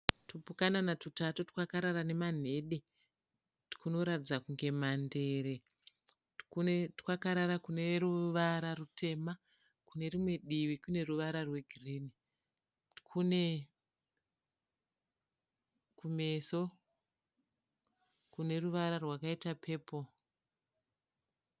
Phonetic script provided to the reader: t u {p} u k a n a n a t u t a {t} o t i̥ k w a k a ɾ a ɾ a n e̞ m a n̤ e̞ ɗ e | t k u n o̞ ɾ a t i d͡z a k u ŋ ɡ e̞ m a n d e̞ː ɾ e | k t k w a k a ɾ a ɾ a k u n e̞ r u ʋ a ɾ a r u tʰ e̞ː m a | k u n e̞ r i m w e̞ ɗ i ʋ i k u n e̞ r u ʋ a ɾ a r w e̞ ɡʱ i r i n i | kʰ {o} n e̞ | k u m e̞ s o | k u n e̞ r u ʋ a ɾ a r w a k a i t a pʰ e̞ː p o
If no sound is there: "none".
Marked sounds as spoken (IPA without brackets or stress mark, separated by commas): p, t, u